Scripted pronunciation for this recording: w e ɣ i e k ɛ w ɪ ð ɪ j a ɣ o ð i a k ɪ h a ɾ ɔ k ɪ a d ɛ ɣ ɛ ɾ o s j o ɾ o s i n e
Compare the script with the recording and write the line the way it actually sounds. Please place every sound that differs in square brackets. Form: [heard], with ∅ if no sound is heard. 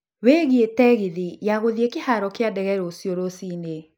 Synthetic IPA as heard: w e ɣ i e [t] ɛ [ɣ] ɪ ð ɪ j a ɣ o ð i [e] k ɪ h a ɾ ɔ k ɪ a d ɛ ɣ ɛ ɾ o s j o ɾ o s i n e

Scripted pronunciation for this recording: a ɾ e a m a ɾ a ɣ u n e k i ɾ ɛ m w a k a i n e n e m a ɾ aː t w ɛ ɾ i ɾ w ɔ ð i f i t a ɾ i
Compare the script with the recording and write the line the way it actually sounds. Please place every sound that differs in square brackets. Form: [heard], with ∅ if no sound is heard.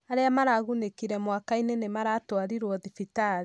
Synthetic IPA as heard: a ɾ e a m a ɾ a ɣ u n e k i ɾ ɛ m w a k a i n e n e m a ɾ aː t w [a] ɾ i ɾ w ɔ ð i f i t a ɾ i

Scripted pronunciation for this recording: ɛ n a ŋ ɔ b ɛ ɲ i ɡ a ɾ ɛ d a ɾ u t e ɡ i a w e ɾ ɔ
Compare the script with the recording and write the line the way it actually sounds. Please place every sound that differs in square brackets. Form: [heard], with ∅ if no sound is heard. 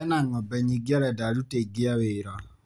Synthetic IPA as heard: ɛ n a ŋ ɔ b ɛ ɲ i ɡ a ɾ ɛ d a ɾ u t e ɡ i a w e ɾ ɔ

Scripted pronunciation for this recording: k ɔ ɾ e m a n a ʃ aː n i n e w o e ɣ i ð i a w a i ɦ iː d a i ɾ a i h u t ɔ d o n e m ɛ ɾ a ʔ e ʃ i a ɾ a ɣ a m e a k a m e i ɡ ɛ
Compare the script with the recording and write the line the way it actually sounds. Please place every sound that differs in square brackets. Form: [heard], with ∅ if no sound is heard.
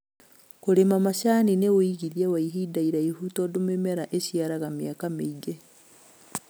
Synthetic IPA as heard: k [o] ɾ e m a [m] a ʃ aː n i n e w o [i] ɣ i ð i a w a i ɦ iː d a i ɾ a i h u t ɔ d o [m] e m ɛ ɾ a ʔ e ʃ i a ɾ a ɣ a m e a k a m e i ɡ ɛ

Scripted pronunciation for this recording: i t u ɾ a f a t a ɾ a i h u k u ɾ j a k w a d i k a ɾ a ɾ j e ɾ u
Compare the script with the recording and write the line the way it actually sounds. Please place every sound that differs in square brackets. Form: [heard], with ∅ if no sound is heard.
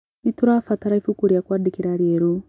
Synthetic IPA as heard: i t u ɾ a f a t a ɾ a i [f] u k u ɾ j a k w a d i k [i] ɾ a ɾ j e ɾ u

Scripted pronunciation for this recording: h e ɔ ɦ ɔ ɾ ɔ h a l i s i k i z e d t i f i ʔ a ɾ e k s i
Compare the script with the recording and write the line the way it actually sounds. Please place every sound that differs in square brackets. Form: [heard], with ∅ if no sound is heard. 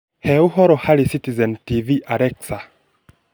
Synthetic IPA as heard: h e [u] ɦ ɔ ɾ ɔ h a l i s i [t] i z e [n] t i [v] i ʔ a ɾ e k s [a]

